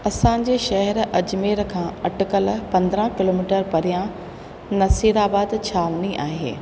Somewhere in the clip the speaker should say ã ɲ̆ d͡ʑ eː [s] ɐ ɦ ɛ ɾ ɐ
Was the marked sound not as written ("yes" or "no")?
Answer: yes